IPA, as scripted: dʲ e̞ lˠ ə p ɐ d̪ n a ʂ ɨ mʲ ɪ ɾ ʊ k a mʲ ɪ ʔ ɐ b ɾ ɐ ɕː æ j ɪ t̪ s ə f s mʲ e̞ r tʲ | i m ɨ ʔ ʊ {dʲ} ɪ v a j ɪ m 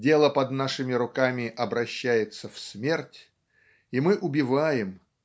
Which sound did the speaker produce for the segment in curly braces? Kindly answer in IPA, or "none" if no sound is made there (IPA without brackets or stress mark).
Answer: bʲ